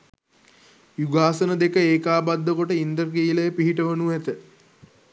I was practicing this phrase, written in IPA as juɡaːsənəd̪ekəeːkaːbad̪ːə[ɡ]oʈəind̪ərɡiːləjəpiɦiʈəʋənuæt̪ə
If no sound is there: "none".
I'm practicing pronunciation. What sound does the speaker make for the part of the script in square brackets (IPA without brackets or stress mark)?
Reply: k